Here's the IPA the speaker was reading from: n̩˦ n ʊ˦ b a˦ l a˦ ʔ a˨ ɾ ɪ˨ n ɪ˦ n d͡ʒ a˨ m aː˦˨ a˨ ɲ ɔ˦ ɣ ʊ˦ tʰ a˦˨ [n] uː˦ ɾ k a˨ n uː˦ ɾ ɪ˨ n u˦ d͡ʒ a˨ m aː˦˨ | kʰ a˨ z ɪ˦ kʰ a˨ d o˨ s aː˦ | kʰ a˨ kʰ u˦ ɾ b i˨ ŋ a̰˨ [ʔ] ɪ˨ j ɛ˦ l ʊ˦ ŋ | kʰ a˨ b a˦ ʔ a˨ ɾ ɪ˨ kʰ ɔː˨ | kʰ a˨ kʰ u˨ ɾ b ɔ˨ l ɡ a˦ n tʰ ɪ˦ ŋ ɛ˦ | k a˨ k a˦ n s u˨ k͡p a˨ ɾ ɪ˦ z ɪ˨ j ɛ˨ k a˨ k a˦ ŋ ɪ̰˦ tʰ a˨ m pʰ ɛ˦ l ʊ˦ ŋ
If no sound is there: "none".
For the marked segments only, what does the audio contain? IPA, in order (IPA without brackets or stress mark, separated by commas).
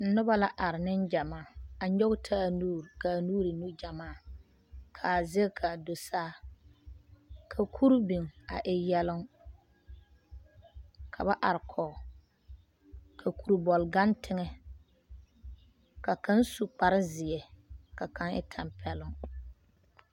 n, ʔ